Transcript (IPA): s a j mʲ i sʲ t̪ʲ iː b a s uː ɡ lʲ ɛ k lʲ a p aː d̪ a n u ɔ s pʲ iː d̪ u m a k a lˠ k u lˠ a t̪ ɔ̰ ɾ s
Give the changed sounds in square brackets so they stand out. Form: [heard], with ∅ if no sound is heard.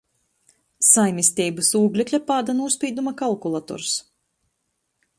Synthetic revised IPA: s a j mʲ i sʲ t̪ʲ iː b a s uː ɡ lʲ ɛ k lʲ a p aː d̪ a n u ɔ s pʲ iː d̪ u m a k a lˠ k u lˠ a t̪ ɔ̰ ɾ s